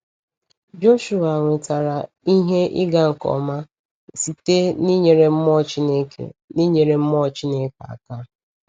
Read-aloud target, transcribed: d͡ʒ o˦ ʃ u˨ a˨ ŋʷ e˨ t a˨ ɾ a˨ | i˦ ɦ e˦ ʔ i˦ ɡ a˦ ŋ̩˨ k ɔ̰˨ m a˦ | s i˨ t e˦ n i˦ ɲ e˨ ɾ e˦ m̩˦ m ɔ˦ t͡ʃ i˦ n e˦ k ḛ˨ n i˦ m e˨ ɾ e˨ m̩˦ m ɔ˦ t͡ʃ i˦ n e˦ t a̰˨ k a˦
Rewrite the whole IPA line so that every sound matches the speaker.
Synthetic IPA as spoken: d͡ʒ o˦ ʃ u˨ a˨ ŋʷ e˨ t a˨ ɾ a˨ | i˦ ɦ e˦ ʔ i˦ ɡ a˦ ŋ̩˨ k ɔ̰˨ m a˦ | s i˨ t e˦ n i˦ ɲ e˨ ɾ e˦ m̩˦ m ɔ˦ t͡ʃ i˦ n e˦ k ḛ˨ n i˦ ɲ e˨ ɾ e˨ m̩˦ m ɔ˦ t͡ʃ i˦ n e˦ k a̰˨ k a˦